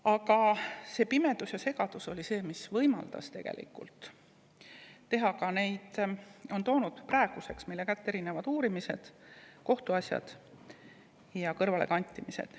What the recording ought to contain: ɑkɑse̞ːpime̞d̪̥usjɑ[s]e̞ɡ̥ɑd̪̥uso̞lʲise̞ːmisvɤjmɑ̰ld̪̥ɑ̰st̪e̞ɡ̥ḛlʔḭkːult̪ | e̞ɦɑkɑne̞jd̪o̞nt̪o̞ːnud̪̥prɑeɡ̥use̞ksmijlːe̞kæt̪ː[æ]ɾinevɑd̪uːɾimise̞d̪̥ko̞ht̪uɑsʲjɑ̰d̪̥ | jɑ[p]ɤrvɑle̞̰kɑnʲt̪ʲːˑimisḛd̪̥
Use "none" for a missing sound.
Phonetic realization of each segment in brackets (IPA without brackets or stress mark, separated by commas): s, e, k